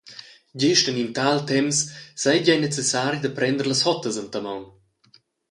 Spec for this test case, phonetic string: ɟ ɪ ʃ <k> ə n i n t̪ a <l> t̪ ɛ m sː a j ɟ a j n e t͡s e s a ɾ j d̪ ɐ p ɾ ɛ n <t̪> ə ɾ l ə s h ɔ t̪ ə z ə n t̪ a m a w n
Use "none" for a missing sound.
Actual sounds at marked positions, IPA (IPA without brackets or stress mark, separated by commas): t, l, d̪